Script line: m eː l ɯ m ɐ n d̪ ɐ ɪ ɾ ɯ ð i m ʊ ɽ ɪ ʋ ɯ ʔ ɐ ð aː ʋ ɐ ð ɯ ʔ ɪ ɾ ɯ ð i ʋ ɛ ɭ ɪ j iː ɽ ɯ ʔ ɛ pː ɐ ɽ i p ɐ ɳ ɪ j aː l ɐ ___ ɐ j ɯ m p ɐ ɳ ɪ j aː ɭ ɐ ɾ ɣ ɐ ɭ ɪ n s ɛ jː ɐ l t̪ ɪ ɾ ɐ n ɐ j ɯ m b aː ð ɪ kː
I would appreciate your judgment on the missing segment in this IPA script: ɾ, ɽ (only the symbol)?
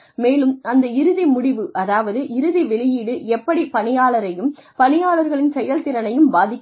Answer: ɾ